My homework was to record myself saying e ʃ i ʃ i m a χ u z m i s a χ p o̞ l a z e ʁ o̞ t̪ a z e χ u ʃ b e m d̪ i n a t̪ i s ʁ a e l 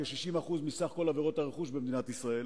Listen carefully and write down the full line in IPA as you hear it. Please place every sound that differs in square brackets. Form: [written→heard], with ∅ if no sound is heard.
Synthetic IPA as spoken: e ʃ i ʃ i m a χ u z m i s a χ [p→k] o̞ l a [z→v] e ʁ o̞ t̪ a [z→ʁ] e χ u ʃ b e m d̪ i n a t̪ i s ʁ a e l